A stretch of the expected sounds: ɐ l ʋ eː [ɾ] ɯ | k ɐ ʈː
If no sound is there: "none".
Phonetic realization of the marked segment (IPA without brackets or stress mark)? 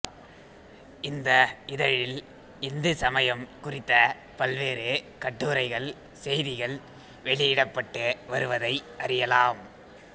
ɾ